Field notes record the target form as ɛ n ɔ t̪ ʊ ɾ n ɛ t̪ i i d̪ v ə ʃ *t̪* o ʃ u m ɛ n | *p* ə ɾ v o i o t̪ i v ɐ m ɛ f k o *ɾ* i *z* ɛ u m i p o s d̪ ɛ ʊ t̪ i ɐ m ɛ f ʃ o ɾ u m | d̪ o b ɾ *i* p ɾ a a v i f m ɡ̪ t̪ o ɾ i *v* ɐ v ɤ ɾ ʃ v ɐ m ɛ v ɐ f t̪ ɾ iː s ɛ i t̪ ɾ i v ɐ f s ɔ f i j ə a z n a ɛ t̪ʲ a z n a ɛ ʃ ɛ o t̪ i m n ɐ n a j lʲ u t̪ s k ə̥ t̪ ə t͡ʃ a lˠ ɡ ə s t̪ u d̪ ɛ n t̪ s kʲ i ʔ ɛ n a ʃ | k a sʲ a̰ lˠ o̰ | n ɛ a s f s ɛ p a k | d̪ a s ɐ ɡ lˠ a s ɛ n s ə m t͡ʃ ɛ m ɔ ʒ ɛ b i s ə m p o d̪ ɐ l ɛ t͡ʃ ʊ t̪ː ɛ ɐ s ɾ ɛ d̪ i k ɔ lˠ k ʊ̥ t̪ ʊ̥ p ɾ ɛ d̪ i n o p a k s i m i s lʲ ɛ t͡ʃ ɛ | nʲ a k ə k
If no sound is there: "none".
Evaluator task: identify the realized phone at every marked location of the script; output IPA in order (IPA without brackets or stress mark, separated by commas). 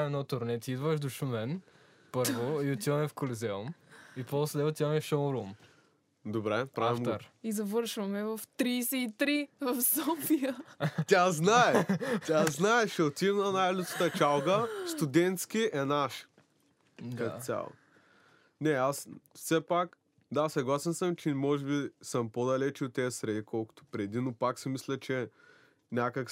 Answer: d̪, p, l, z, ɛ, z